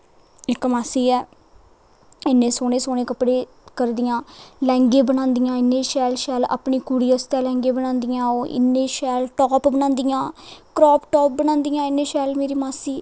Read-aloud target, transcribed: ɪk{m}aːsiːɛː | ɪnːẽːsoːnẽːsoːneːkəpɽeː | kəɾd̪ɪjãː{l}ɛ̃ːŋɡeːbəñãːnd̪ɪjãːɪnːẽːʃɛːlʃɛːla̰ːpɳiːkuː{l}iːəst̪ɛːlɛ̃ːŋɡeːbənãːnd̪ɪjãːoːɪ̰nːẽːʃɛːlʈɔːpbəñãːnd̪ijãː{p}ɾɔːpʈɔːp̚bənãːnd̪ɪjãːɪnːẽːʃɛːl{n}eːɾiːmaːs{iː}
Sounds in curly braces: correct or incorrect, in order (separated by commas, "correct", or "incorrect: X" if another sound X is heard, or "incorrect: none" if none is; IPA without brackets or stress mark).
correct, correct, incorrect: ɽ, incorrect: k, incorrect: m, correct